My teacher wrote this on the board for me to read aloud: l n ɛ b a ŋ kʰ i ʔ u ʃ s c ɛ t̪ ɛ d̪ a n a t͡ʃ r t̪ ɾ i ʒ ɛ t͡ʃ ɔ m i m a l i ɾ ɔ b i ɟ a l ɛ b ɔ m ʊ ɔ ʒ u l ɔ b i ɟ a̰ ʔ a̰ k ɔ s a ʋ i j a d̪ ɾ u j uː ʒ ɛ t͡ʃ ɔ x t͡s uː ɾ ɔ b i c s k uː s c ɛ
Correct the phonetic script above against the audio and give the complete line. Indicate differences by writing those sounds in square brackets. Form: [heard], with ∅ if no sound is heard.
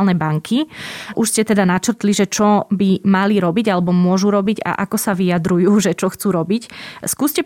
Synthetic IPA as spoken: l n ɛ b a ŋ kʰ i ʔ u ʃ s c ɛ t̪ ɛ d̪ a n a t͡ʃ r t̪ [l] i ʒ ɛ t͡ʃ ɔ [b] i m a l i ɾ ɔ b i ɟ a l ɛ b ɔ m ʊ ɔ ʒ u [ɾ] ɔ b i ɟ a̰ ʔ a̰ k ɔ s a ʋ i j a d̪ ɾ u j uː ʒ ɛ t͡ʃ ɔ x t͡s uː ɾ ɔ b i c s k uː s c ɛ